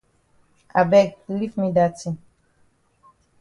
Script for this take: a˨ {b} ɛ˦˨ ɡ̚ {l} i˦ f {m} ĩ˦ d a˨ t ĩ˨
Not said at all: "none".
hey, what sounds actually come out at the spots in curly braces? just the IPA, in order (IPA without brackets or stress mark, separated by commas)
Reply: b, l, m